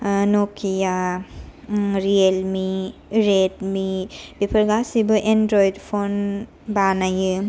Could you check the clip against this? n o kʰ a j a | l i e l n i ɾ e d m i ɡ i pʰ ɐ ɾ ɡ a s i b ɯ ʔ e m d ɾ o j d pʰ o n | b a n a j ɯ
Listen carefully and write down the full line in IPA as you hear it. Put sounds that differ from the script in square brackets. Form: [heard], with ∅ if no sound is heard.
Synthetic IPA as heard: n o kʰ [i] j a | [ɾ] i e l [m] i ɾ e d m i [b] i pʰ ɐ ɾ ɡ a s i b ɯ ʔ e [n] d ɾ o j d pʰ o n | b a n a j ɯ